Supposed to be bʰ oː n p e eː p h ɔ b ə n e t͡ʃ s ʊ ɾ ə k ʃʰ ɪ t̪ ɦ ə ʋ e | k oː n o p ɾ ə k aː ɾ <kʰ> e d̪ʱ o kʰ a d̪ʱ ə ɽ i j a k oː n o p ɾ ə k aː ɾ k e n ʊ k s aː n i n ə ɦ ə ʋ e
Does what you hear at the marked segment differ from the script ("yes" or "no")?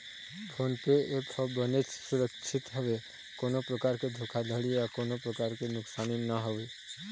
yes